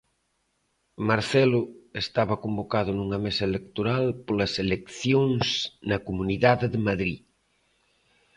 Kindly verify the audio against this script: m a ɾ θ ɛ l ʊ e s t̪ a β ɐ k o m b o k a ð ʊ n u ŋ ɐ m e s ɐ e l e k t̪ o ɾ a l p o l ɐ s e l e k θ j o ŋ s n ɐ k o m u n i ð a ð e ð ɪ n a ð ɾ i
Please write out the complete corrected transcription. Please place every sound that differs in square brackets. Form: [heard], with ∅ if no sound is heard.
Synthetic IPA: m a ɾ θ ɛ l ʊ e s t̪ a β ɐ k o m b o k a ð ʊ n u ŋ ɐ m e s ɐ e l e k t̪ o ɾ a l p o l ɐ s e l e k θ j o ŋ s n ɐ k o m u n i ð a ð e ð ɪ [m] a ð ɾ i